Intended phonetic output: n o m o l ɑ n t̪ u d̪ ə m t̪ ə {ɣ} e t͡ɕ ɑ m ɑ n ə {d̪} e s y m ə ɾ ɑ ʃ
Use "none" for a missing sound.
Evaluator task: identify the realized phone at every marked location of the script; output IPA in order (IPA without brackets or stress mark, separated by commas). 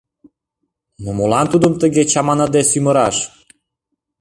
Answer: ɣ, d̪